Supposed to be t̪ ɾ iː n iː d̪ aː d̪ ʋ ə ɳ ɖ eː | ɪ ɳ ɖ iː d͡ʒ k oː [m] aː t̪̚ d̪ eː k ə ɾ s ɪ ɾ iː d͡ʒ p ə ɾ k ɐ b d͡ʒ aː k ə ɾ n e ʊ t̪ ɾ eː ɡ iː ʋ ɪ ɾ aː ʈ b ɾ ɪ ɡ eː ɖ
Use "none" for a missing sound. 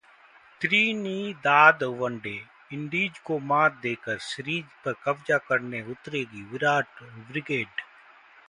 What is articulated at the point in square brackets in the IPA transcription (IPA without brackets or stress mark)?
m